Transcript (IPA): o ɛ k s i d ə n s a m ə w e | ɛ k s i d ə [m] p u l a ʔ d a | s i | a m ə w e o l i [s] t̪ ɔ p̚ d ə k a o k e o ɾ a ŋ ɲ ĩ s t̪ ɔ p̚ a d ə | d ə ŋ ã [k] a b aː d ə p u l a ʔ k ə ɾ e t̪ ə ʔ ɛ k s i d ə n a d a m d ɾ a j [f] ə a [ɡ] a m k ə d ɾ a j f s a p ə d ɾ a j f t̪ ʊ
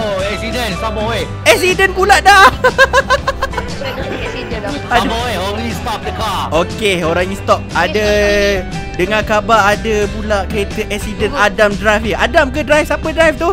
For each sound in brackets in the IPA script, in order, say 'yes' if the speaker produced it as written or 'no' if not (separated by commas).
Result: no, yes, yes, yes, no